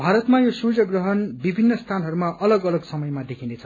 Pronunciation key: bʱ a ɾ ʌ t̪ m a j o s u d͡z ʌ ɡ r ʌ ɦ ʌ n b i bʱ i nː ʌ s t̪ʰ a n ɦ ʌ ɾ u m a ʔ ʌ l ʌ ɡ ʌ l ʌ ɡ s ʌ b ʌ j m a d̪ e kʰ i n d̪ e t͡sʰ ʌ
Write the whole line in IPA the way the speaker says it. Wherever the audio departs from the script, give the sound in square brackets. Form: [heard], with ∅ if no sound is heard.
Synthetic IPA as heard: bʱ a ɾ ʌ t̪ m a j o s u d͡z ʌ ɡ r ʌ ɦ ʌ n b i bʱ i nː ʌ s t̪ʰ a n ɦ ʌ ɾ u m a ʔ ʌ l ʌ ɡ ʌ l ʌ ɡ s ʌ [m] ʌ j m a d̪ e kʰ i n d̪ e t͡sʰ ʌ